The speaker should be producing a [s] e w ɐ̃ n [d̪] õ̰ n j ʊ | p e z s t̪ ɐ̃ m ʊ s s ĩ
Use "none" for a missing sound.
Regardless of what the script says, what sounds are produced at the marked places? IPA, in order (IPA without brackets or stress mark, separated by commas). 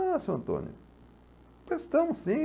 s, t̪